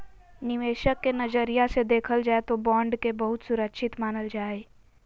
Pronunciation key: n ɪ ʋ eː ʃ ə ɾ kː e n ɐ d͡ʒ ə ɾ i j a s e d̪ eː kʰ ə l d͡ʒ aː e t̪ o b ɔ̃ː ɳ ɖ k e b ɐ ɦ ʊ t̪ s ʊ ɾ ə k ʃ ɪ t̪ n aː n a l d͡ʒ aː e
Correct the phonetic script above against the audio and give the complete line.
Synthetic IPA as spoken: n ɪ ʋ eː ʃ ə kː e n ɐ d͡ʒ ə ɾ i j a s e d̪ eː kʰ ə l d͡ʒ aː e t̪ o b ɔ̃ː ɳ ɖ k e b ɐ ɦ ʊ t̪ s ʊ ɾ ə k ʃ ɪ t̪ m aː n ə l d͡ʒ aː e